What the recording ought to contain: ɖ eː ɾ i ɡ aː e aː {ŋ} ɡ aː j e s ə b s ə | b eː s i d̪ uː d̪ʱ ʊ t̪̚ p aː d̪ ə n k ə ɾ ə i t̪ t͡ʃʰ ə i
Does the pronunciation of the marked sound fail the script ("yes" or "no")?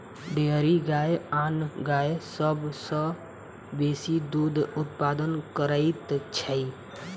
yes